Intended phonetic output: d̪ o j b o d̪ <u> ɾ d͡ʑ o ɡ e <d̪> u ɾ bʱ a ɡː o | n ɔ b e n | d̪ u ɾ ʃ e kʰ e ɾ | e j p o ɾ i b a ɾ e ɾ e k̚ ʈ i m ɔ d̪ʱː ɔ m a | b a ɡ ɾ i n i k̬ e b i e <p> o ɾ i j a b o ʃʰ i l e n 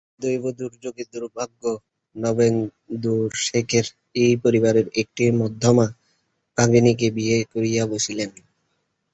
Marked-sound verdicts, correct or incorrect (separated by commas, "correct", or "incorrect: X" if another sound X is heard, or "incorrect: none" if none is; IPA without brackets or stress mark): correct, correct, incorrect: k